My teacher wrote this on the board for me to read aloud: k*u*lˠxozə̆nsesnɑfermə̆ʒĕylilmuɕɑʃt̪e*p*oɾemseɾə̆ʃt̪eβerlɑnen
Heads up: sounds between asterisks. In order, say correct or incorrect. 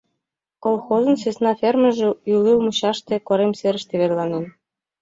incorrect: o, incorrect: k

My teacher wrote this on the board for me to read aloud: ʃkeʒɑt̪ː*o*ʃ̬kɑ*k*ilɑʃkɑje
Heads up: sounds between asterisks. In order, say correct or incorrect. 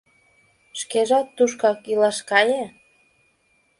incorrect: u, correct

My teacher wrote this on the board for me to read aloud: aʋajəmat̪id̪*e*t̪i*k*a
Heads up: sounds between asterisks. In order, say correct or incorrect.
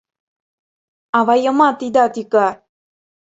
incorrect: a, correct

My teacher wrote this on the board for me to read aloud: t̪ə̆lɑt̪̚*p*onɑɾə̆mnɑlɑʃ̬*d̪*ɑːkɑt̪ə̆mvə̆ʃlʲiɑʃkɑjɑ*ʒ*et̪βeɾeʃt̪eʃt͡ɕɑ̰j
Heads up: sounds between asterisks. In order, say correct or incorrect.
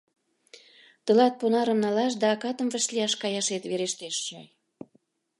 correct, correct, incorrect: ʃ

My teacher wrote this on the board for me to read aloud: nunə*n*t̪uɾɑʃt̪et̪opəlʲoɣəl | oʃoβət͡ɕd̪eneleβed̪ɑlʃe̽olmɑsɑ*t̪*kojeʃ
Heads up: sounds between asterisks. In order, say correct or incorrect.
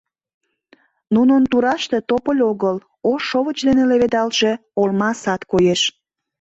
correct, correct

